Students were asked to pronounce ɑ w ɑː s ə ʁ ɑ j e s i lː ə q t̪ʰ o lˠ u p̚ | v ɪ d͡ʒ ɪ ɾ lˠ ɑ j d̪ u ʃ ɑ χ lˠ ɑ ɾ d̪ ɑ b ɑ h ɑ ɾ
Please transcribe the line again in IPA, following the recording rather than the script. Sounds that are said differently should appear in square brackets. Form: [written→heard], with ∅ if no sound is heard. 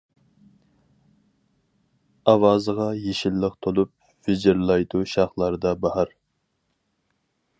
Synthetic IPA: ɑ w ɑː [s→z] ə ʁ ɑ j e [s→ʃ] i lː ə q t̪ʰ o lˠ u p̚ | v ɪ d͡ʒ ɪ ɾ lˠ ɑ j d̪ u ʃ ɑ χ lˠ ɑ ɾ d̪ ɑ b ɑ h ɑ ɾ